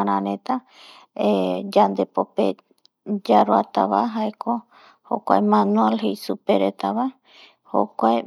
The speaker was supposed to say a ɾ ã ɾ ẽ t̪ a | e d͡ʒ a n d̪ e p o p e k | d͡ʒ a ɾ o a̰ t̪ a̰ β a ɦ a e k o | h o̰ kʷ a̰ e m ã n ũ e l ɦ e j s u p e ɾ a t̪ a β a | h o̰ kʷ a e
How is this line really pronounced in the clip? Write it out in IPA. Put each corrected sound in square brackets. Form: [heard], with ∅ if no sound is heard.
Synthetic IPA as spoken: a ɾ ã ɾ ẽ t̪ a | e d͡ʒ a n d̪ e p o p e [∅] | d͡ʒ a ɾ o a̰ t̪ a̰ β a ɦ a e k o | h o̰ kʷ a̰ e m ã n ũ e l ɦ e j s u p e ɾ [e] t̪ a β a | h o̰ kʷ a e